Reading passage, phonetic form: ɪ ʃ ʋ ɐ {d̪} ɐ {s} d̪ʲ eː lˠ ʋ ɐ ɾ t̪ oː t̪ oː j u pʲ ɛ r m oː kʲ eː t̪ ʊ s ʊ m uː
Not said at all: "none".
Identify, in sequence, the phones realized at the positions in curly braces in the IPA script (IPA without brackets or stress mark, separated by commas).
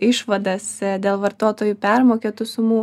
d̪, s